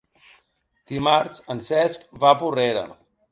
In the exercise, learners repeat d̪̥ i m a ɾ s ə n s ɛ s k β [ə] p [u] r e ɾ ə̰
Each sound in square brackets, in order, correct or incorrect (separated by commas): incorrect, correct